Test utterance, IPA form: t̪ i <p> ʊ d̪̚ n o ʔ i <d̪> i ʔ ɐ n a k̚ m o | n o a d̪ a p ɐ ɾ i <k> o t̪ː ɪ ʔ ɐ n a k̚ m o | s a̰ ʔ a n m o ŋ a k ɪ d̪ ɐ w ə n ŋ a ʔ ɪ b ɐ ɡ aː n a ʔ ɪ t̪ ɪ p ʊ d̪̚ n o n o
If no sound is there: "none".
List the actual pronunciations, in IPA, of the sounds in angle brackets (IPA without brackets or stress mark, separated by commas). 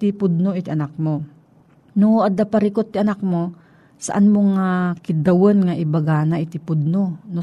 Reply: p, t̪, k